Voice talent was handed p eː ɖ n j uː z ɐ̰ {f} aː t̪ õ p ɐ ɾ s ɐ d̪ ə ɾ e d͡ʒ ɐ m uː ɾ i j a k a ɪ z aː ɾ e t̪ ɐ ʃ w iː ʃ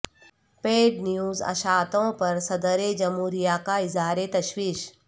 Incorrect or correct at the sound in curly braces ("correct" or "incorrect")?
incorrect